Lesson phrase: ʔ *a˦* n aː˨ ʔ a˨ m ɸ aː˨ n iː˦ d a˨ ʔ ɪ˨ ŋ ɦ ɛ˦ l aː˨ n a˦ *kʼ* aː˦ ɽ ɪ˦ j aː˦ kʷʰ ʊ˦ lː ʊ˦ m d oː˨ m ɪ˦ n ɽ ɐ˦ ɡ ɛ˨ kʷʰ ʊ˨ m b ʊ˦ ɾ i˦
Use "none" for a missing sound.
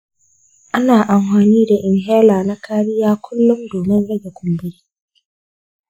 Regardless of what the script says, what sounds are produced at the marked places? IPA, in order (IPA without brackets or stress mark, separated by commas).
a˦, k